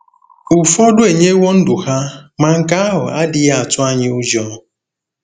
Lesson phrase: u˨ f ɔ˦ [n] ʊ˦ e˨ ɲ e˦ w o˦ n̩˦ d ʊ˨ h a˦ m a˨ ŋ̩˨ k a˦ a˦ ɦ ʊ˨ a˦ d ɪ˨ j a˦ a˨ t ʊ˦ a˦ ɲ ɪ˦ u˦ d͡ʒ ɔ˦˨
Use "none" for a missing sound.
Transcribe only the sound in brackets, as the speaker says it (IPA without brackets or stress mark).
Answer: d